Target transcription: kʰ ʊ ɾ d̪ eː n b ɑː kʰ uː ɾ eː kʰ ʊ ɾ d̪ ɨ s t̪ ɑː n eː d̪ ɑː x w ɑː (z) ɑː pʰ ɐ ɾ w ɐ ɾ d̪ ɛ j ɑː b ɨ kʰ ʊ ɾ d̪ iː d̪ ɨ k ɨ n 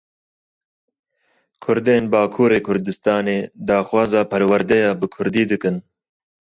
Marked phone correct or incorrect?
correct